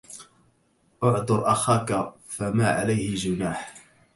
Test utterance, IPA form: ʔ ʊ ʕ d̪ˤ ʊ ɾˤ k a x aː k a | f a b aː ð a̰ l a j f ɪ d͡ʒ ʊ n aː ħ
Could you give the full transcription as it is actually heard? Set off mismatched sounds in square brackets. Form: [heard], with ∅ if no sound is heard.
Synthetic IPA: ʔ ʊ ʕ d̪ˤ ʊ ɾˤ [ʔ] a x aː k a | f a [m] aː [ʕ] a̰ l a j [h] ɪ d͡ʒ ʊ n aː ħ